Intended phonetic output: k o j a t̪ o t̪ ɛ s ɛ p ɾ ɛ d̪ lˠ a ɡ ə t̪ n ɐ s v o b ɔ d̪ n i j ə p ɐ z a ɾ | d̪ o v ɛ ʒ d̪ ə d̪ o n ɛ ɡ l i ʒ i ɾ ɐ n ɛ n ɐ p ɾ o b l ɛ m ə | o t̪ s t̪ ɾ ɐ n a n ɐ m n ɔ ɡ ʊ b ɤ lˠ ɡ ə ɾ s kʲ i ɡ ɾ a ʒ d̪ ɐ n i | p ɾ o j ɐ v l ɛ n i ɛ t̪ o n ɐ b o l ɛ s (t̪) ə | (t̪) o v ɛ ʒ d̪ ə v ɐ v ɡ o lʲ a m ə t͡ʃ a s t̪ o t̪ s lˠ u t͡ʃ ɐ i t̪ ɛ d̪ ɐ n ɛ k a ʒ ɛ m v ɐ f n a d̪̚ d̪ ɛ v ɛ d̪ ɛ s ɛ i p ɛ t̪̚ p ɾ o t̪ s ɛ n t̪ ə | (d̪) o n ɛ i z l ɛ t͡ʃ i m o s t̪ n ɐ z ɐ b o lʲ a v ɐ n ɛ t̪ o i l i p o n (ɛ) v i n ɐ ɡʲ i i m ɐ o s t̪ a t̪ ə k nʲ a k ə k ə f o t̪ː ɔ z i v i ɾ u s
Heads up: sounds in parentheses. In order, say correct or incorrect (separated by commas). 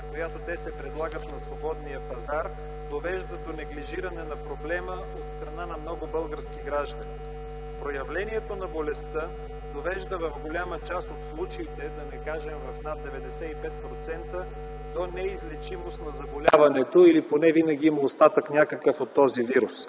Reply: correct, incorrect, correct, correct